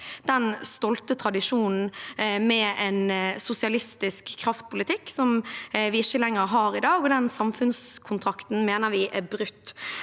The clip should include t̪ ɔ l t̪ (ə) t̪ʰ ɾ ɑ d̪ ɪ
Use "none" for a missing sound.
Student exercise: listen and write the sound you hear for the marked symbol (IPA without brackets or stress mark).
ə